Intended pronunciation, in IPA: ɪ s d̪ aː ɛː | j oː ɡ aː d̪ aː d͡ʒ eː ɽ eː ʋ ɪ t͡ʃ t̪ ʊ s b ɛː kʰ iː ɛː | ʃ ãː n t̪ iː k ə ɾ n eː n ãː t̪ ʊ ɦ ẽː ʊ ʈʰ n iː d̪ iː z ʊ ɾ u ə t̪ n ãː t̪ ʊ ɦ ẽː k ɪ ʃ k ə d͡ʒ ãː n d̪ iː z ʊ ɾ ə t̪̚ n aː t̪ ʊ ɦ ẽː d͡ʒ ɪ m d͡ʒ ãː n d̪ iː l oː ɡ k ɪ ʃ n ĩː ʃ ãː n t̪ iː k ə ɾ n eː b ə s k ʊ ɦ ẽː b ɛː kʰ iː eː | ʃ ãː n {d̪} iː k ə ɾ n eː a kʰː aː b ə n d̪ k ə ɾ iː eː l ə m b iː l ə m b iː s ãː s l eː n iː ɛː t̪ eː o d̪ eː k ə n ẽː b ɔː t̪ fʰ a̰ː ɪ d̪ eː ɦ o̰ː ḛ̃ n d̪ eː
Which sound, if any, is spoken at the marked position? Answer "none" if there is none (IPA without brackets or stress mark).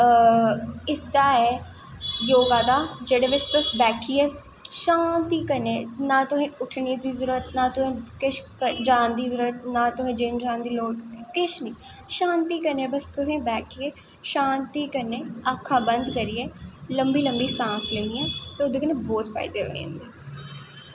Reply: t̪